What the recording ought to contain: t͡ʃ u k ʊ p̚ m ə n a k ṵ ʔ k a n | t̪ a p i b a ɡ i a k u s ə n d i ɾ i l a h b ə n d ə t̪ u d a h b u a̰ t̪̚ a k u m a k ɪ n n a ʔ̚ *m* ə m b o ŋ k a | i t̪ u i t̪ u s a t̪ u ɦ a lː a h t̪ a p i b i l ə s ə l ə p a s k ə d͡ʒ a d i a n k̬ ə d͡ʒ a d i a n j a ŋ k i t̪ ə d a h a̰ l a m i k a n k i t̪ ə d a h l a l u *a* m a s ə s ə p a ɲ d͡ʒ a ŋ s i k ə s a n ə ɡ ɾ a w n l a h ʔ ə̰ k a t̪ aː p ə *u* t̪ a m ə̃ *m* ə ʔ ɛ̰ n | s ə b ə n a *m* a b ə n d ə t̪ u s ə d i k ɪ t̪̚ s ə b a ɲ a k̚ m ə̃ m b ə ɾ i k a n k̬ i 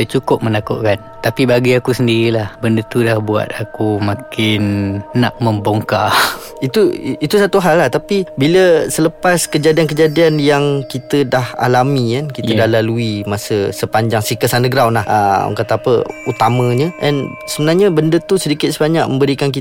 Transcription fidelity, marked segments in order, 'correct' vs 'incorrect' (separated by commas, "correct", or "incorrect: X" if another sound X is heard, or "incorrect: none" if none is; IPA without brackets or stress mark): correct, incorrect: i, correct, incorrect: ɲ, incorrect: ɲ